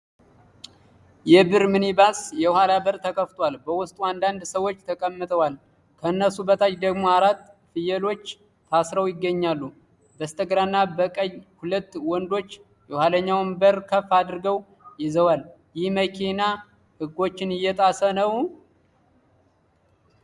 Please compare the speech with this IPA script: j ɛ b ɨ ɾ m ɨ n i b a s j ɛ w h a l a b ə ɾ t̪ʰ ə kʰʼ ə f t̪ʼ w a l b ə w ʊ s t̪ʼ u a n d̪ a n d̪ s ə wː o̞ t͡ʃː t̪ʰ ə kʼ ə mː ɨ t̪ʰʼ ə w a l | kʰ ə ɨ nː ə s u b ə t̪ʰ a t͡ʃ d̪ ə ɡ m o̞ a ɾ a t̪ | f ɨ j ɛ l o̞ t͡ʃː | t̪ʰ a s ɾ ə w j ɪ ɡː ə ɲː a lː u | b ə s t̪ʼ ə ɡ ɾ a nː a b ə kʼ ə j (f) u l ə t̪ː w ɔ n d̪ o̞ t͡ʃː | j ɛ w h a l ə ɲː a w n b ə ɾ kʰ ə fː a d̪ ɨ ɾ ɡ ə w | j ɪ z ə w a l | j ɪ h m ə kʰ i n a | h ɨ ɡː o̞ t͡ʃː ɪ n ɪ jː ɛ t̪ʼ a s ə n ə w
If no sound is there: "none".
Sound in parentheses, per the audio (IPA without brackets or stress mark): h